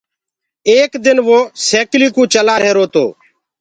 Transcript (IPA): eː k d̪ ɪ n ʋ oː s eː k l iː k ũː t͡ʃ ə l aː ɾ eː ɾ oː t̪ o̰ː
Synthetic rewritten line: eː k d̪ ɪ n ʋ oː s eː k l iː k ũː t͡ʃ ə l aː ɾ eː ɾ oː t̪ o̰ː